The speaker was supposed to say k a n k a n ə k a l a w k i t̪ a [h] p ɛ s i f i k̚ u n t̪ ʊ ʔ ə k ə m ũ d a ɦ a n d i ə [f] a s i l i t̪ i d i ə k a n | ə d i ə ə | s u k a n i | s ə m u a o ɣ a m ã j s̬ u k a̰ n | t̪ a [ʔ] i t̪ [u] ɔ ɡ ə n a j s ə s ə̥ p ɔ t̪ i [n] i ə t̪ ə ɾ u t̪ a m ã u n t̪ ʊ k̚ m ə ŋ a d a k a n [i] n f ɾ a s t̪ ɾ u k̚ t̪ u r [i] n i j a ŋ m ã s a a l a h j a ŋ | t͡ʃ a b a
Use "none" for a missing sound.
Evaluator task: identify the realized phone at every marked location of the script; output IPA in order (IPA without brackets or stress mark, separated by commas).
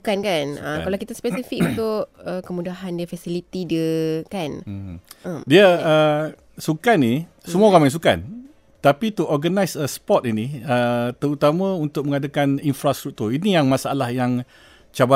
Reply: s, f, p, u, n, i, i